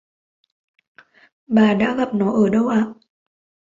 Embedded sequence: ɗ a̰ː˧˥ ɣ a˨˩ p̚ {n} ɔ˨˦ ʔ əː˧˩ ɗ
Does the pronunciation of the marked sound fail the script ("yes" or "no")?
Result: no